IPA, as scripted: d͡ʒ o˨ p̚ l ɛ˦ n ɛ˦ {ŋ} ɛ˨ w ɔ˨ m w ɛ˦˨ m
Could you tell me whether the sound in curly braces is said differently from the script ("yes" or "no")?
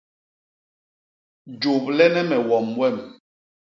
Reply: yes